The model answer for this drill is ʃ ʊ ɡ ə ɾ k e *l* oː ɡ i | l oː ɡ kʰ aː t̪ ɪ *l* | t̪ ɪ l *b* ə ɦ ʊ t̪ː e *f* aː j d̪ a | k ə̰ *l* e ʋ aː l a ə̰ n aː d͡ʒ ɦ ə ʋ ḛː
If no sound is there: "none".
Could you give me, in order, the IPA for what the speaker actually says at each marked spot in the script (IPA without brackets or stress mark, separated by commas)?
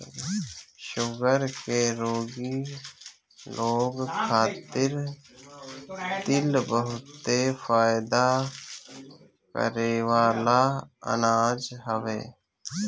ɾ, ɾ, b, f, ɾ